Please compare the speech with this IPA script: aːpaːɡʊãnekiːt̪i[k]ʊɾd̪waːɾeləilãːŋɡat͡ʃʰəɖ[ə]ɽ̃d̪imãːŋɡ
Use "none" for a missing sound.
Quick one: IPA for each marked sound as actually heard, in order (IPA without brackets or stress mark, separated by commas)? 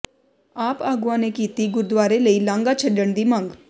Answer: ɡ, ə